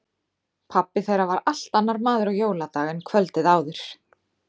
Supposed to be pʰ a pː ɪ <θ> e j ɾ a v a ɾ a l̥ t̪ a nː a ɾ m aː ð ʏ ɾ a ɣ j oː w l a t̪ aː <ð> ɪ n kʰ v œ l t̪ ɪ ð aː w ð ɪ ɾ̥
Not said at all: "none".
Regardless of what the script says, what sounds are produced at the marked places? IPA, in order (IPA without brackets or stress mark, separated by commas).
θ, ɣ